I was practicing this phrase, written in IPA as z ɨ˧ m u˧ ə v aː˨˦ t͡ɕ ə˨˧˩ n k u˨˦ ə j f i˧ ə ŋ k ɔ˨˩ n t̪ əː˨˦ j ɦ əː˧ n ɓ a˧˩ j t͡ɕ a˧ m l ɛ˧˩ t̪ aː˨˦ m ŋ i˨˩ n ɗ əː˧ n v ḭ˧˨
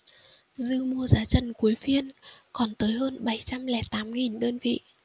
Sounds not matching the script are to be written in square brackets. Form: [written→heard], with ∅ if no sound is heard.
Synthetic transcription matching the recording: z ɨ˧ m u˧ ə [v→z] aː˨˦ t͡ɕ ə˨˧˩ n k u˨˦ ə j f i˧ ə [ŋ→n] k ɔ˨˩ n t̪ əː˨˦ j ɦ əː˧ n ɓ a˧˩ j t͡ɕ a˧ m l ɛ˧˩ t̪ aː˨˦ m ŋ i˨˩ n ɗ əː˧ n v ḭ˧˨